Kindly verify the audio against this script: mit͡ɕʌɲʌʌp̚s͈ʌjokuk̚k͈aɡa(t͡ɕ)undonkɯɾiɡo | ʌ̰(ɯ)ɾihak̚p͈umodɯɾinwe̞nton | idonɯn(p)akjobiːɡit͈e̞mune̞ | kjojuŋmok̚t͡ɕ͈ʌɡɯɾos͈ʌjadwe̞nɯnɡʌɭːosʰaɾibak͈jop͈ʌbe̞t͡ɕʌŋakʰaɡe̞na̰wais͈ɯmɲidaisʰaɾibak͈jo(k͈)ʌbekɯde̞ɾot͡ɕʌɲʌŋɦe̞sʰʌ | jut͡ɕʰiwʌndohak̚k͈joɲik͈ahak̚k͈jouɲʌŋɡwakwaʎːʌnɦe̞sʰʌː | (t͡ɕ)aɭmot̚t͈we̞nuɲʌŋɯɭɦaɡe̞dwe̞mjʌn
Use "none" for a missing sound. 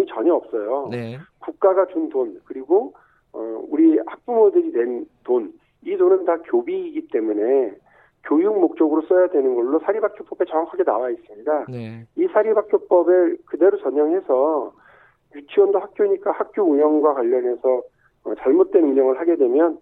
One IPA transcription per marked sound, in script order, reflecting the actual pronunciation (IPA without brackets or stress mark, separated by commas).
t͡ɕ, u, t, p͈, t͡ɕ